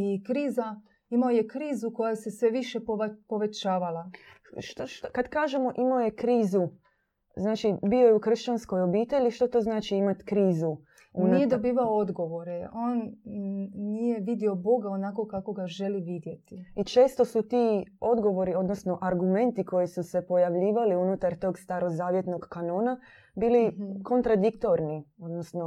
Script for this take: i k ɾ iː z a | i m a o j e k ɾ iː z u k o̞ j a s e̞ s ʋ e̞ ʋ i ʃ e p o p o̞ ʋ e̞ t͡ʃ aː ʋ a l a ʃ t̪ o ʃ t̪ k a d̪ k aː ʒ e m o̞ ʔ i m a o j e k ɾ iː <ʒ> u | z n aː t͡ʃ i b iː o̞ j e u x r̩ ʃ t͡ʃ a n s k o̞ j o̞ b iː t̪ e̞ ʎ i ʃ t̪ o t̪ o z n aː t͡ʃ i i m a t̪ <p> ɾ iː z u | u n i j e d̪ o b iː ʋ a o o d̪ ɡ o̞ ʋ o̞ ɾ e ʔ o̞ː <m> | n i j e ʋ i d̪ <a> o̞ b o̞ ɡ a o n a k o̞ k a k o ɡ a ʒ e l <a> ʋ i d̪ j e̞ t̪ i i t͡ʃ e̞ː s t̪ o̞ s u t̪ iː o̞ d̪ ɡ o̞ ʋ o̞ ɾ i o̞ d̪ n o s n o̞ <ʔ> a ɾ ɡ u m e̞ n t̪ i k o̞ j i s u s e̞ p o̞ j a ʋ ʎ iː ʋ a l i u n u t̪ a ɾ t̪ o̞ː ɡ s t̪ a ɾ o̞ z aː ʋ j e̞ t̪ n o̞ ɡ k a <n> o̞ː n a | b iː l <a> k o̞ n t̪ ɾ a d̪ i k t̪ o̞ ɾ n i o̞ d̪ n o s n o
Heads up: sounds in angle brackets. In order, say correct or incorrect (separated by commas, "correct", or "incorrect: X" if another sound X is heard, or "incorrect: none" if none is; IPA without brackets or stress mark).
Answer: incorrect: z, incorrect: k, incorrect: n, incorrect: i, incorrect: i, correct, correct, incorrect: i